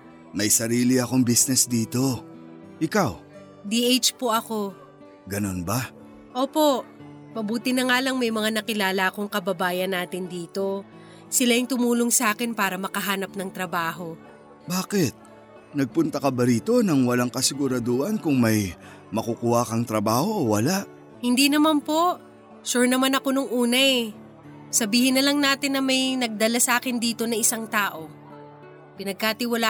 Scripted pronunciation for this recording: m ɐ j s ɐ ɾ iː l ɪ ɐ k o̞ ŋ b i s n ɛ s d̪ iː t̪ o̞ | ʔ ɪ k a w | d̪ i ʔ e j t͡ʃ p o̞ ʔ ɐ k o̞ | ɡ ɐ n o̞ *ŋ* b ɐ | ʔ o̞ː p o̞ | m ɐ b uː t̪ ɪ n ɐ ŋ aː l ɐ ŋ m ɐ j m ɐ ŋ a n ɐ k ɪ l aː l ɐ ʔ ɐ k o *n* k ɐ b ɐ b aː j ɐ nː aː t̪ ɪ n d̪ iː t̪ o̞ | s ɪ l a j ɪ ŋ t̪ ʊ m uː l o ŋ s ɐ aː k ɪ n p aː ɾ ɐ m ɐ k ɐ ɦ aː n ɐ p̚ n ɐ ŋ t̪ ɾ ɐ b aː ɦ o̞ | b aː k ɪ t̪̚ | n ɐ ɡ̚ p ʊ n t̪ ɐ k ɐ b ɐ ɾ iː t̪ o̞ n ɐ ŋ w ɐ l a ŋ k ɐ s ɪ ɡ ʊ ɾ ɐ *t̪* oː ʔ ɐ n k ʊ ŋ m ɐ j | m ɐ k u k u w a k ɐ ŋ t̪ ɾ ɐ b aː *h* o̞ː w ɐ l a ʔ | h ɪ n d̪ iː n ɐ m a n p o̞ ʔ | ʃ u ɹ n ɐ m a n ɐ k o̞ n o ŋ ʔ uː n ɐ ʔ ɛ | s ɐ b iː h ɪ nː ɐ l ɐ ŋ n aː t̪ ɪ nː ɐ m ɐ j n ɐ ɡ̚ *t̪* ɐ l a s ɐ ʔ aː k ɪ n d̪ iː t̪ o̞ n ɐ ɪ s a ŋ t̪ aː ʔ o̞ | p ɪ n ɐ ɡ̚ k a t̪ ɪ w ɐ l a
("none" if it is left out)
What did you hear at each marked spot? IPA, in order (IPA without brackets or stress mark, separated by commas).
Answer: n, ŋ, d̪, h, d̪